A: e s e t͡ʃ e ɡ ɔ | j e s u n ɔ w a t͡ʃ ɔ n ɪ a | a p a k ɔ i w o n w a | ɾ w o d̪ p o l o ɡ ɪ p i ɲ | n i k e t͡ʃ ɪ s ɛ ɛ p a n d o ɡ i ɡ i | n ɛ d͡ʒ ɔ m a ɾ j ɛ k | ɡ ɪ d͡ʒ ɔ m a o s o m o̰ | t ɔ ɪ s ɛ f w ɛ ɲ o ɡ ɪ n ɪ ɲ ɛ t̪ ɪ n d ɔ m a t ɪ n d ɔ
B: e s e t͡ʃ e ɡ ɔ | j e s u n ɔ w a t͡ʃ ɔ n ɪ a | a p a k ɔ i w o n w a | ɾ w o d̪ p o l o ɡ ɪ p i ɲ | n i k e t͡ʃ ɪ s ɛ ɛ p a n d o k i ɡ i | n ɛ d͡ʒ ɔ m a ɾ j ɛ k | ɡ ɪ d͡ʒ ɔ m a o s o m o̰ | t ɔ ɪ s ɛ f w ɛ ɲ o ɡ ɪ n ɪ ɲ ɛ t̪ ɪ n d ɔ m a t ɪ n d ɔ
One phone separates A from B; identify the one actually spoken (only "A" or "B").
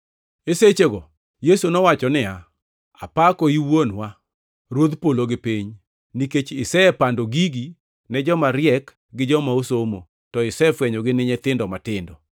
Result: A